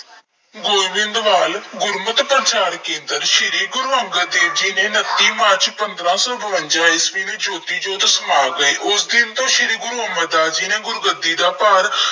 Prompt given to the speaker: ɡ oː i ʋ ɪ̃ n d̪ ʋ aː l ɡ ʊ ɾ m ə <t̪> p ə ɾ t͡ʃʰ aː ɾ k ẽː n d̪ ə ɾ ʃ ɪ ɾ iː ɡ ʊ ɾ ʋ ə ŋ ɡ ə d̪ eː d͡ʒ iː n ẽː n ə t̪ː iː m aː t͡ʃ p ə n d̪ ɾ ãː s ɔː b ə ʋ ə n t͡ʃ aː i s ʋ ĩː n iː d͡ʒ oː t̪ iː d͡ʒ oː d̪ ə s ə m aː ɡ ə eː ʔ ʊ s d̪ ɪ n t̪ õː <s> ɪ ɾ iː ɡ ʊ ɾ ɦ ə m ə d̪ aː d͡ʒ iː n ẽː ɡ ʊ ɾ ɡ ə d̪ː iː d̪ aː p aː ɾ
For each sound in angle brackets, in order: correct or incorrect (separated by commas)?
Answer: correct, incorrect